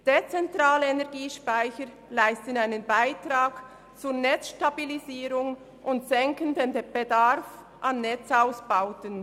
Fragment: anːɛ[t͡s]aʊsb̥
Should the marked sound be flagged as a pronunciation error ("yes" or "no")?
no